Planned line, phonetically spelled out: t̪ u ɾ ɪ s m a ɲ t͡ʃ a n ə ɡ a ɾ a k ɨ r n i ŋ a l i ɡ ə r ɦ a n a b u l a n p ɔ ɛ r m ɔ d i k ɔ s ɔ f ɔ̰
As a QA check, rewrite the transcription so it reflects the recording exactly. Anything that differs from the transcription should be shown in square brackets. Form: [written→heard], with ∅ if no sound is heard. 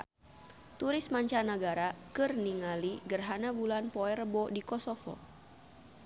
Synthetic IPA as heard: t̪ u ɾ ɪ s m a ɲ t͡ʃ a n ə ɡ a ɾ a k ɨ r n i ŋ a l i ɡ ə r ɦ a n a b u l a n p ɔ ɛ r [m→b] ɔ d i k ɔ s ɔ f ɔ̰